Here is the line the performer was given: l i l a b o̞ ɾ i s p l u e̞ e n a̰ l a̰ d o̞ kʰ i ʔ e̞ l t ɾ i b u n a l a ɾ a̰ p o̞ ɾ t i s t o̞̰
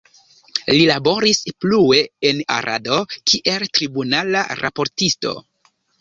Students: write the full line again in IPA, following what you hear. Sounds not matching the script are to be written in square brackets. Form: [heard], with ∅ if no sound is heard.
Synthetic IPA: l i l a b o̞ ɾ i s p l u e̞ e n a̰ [ɾ] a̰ d o̞ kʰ i ʔ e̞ l t ɾ i b u n a l a ɾ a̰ p o̞ ɾ t i s t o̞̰